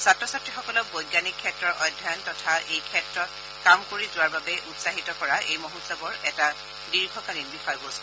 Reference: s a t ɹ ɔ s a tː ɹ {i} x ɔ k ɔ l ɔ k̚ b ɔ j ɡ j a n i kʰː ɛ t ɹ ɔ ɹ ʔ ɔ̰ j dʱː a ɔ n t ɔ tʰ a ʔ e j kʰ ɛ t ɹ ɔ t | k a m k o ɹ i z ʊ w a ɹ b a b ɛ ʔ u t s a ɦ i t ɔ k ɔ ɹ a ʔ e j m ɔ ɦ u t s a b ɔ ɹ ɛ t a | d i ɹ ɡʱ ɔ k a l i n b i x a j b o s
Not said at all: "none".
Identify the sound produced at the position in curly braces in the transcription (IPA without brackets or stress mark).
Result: i